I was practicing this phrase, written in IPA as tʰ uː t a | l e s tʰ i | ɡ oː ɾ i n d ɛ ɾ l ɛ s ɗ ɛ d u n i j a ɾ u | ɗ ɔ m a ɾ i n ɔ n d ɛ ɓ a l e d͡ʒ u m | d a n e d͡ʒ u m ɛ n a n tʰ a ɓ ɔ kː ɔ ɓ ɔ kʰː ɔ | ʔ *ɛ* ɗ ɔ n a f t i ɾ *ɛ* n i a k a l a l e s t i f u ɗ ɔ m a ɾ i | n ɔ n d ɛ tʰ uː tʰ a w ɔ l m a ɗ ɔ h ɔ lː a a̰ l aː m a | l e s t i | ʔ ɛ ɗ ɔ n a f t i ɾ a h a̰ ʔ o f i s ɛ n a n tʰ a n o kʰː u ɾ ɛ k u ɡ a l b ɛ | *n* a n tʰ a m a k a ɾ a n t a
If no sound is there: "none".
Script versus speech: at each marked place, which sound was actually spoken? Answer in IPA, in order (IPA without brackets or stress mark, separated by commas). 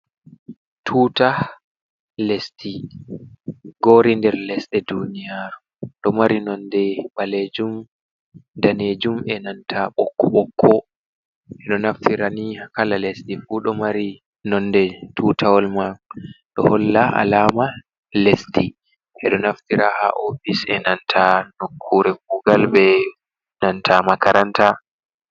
ɛ, a, n